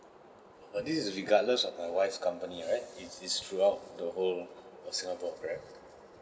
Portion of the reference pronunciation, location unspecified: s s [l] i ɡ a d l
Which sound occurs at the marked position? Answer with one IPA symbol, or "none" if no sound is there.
ɹ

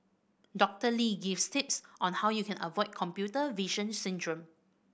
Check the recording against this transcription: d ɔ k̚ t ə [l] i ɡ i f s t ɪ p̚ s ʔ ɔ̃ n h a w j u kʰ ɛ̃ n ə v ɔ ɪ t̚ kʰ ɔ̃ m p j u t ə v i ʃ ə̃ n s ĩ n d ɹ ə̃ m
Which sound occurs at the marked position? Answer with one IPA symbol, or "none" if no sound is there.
l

